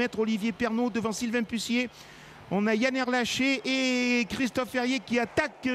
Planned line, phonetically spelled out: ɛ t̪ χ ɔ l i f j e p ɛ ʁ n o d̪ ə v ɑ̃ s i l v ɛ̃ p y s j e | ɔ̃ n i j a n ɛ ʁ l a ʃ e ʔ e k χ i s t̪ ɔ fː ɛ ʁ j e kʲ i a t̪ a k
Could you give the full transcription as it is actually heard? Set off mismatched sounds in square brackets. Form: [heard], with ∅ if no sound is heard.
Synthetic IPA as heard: ɛ t̪ χ ɔ l i [v] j e p ɛ ʁ n o d̪ ə v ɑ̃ s i l v ɛ̃ p y s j e | ɔ̃ n [a] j a n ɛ ʁ l a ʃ e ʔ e k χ i s t̪ ɔ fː ɛ ʁ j e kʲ i a t̪ a k

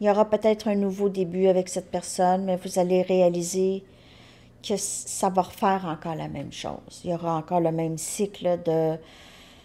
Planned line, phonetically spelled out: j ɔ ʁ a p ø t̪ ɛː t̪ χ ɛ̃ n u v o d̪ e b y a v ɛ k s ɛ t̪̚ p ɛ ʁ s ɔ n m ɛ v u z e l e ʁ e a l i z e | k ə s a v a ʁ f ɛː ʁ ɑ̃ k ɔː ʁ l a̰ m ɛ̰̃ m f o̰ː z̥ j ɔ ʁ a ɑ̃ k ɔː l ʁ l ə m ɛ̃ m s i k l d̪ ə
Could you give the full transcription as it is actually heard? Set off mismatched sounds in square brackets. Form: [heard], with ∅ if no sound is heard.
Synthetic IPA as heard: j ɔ ʁ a p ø t̪ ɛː t̪ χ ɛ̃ n u v o d̪ e b y a v ɛ k s ɛ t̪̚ p ɛ ʁ s ɔ n m ɛ v u z [a] l e ʁ e a l i z e | k ə s a v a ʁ f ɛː ʁ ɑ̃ k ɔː ʁ l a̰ m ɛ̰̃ m [ʃ] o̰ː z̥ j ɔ ʁ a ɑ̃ k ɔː [∅] ʁ l ə m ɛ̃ m s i k l d̪ ə

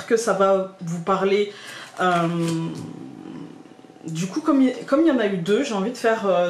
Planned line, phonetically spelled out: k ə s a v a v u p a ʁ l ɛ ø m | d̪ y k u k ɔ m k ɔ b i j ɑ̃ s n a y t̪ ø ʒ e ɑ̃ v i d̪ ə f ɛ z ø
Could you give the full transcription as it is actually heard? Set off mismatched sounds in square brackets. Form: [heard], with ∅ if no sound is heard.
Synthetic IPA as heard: k ə s a v a v u p a ʁ l [e] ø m | d̪ y k u k ɔ m k ɔ [m] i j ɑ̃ [∅] n a y [d̪] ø ʒ e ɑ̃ v i d̪ ə f ɛ [ʁ] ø

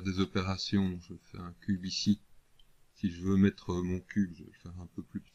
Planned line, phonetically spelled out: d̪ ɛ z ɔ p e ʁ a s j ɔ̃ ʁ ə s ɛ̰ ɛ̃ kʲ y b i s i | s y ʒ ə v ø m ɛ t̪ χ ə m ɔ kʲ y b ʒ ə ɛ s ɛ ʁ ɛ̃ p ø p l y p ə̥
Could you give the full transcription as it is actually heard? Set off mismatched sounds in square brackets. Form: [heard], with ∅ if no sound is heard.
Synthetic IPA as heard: d̪ [e] z ɔ p e ʁ a s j ɔ̃ [ʒ] ə [f] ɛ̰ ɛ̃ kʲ y b i s i | s [i] ʒ ə v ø m ɛ t̪ χ ə m [ɔ̃] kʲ y b ʒ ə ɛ [f] ɛ ʁ ɛ̃ p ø p l y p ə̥

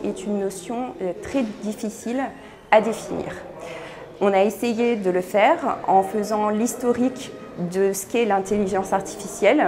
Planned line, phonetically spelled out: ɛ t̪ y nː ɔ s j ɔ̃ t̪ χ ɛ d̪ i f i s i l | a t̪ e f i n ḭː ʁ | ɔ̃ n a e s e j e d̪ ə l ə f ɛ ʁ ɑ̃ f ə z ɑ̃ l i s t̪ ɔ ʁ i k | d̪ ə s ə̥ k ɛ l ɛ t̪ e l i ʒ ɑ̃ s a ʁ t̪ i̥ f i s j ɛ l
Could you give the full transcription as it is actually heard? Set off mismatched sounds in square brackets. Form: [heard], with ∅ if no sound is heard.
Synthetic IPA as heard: ɛ t̪ y nː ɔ s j ɔ̃ t̪ χ ɛ d̪ i f i s i l | a [d̪] e f i n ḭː ʁ | ɔ̃ n a e s e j e d̪ ə l ə f ɛ ʁ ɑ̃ f ə z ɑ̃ l i s t̪ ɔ ʁ i k | d̪ ə s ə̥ k ɛ l [ɛ̃] t̪ e l i ʒ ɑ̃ s a ʁ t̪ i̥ f i s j ɛ l

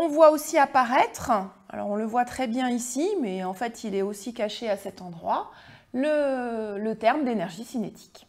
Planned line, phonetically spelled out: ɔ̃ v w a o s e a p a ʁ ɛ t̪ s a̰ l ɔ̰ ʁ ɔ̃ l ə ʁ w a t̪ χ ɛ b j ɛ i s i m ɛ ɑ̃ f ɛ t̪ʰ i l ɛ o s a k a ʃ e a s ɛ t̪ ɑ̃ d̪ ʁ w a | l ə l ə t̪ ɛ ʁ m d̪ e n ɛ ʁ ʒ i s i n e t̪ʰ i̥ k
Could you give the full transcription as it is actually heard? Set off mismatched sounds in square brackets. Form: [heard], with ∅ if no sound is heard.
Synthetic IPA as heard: ɔ̃ v w a o s [i] a p a ʁ ɛ t̪ [χ] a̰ l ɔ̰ ʁ ɔ̃ l ə [v] w a t̪ χ ɛ b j [ɛ̃] i s i m ɛ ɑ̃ f ɛ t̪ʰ i l ɛ o s [i] k a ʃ e a s ɛ t̪ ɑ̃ d̪ ʁ w a | l ə l ə t̪ ɛ ʁ m d̪ e n ɛ ʁ ʒ i s i n e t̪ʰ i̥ k

